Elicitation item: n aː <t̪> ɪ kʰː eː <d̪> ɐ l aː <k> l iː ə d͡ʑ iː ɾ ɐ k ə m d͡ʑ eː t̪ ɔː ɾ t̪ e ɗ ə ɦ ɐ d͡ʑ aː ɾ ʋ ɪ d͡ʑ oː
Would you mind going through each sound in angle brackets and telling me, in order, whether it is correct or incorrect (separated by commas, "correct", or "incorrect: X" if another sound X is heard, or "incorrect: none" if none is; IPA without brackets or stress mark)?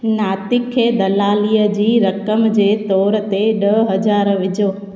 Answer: correct, correct, incorrect: none